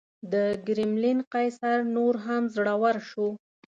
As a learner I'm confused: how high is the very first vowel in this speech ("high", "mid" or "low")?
mid